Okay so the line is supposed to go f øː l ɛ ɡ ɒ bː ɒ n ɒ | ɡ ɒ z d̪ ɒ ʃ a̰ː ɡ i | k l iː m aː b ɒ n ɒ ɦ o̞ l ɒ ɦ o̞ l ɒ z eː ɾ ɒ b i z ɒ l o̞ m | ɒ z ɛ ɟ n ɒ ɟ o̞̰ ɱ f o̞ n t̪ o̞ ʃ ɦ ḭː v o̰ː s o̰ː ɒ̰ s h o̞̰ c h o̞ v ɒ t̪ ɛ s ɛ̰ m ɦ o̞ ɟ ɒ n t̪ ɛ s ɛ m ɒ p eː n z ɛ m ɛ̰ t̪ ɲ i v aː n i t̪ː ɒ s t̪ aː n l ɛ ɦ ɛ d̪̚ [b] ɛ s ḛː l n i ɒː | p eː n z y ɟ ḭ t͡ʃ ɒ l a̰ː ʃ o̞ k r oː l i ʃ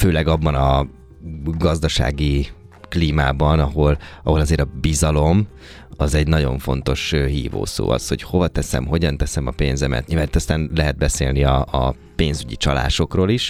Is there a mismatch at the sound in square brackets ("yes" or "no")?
no